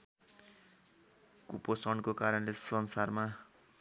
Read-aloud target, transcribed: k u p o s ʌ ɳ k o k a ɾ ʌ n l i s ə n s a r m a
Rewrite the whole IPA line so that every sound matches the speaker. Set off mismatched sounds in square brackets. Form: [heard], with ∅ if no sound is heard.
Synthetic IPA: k u p o s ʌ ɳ k o k a ɾ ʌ n l [e] s [ʌ] n s a r m a